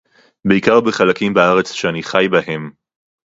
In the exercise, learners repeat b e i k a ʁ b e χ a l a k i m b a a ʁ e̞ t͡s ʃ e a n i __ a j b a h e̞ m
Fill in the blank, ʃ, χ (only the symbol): χ